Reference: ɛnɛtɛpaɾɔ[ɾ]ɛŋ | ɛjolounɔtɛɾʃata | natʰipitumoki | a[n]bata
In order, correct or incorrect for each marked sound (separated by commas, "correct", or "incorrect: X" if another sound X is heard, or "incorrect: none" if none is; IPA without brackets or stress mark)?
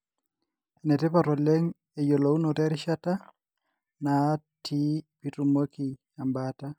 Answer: incorrect: l, incorrect: m